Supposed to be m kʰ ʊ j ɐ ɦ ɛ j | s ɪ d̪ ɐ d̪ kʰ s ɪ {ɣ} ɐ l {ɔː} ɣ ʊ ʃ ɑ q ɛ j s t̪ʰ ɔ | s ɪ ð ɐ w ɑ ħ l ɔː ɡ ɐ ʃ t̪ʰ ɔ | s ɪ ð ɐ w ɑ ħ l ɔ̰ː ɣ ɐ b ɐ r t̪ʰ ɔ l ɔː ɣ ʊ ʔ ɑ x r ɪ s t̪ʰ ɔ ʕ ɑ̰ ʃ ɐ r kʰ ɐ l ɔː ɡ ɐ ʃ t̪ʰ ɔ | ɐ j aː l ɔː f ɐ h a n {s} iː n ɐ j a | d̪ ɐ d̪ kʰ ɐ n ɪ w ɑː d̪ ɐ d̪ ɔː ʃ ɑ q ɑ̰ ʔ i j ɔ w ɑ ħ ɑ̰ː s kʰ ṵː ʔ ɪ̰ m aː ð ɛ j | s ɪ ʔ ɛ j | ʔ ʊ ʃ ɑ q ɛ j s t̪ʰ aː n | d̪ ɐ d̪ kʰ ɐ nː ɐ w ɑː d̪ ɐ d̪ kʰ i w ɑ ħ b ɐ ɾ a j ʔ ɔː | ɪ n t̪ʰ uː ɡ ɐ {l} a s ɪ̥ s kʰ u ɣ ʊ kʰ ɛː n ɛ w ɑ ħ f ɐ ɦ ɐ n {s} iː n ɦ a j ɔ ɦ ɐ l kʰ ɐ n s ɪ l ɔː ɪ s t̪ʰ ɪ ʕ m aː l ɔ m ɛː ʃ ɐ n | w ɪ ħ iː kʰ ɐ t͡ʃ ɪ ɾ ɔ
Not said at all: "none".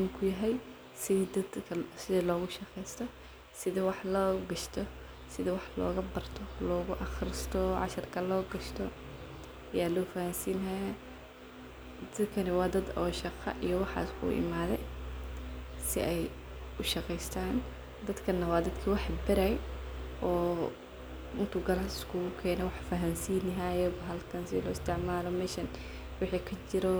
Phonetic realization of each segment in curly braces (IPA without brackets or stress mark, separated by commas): ð, ɔː, s, l, s